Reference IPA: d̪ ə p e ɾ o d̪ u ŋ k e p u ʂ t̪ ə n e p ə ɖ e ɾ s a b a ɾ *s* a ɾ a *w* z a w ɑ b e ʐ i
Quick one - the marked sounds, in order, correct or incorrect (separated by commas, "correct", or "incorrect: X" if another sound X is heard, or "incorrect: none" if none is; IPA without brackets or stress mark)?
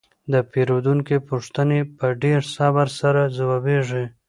correct, incorrect: none